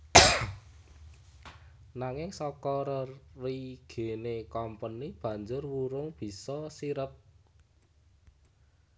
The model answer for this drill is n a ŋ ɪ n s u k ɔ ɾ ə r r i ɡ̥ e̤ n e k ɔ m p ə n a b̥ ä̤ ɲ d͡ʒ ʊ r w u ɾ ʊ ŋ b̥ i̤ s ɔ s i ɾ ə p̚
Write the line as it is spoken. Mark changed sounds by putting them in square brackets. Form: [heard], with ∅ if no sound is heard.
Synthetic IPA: n a ŋ ɪ [ŋ] s [ɔ] k ɔ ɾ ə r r i ɡ̥ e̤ n e k ɔ m p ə n [i] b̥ ä̤ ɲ d͡ʒ ʊ r w u ɾ ʊ ŋ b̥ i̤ s ɔ s i ɾ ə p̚